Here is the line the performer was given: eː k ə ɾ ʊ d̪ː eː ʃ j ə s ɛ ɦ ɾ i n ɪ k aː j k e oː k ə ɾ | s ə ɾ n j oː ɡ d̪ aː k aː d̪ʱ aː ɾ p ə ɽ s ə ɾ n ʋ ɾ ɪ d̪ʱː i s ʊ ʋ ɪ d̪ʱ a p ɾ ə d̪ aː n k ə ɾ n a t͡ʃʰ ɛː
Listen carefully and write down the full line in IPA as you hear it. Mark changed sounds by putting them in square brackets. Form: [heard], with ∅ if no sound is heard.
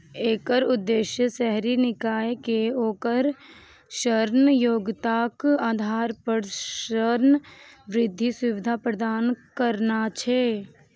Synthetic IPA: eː k ə ɾ ʊ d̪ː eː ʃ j ə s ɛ ɦ ɾ i n ɪ k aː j k e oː k ə ɾ | [ʃ] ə ɾ n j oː ɡ [t̪] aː k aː d̪ʱ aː ɾ p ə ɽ [ʃ] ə ɾ n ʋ ɾ ɪ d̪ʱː i s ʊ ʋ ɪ d̪ʱ a p ɾ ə d̪ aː n k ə ɾ n a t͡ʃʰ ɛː